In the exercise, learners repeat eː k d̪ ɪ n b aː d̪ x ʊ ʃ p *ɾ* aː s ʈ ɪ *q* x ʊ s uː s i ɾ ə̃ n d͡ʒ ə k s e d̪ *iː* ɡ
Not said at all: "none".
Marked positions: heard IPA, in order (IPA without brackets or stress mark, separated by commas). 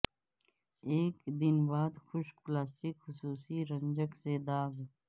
l, k, aː